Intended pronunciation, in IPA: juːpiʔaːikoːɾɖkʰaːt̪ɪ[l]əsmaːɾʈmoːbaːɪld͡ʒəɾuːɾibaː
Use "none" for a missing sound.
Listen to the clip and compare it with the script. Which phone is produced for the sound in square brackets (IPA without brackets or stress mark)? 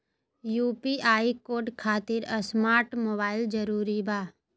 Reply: ɾ